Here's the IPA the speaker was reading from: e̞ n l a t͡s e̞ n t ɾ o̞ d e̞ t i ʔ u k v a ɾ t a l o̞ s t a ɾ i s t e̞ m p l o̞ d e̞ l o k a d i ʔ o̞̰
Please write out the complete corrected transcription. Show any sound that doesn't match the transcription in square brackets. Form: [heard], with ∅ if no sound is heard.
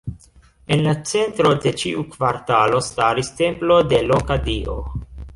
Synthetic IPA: e̞ n l a t͡s e̞ n t ɾ o̞ d e̞ [t͡ʃ] i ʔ u k v a ɾ t a l o̞ s t a ɾ i s t e̞ m p l o̞ d e̞ l o k a d i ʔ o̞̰